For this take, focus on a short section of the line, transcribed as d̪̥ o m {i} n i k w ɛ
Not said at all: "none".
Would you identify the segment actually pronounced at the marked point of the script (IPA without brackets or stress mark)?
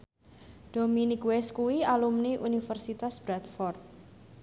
i